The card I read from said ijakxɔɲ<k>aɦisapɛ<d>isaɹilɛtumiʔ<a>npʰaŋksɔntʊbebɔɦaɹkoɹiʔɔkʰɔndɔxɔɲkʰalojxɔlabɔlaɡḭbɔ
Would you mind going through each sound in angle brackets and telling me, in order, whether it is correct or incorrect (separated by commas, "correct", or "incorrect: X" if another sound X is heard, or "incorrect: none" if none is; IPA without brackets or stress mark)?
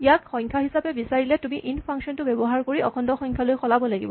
incorrect: kʰ, incorrect: b, incorrect: i